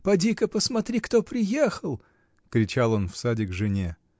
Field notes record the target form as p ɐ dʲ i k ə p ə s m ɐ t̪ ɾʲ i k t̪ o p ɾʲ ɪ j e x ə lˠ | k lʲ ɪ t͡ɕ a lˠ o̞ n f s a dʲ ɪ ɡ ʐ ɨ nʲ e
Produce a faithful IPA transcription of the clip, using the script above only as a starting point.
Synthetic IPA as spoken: p ɐ dʲ i k ə p ə s m ɐ t̪ ɾʲ i k t̪ o p ɾʲ ɪ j e x ə lˠ | k ɾʲ ɪ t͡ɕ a lˠ o̞ n f s a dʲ ɪ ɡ ʐ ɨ nʲ e